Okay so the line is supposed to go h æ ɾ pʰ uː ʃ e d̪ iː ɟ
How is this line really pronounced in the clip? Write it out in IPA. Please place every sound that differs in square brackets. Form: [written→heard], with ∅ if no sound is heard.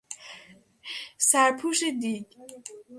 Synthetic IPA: [h→s] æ ɾ pʰ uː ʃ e d̪ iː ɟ